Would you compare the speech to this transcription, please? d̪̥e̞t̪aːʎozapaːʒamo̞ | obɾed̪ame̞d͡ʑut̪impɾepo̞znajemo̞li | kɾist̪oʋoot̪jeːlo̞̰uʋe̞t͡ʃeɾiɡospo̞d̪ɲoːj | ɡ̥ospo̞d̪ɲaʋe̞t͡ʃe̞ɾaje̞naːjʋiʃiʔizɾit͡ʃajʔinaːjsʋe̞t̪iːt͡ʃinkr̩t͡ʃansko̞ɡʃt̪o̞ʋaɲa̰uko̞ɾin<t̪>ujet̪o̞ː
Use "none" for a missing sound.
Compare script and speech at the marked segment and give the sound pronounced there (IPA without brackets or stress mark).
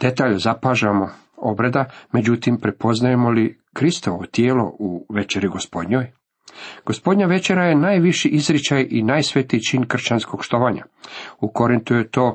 t̪